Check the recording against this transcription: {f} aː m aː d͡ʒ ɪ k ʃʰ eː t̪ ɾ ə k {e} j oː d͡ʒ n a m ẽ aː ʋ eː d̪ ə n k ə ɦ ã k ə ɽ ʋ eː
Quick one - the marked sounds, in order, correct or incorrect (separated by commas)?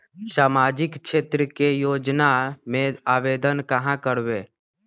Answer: incorrect, correct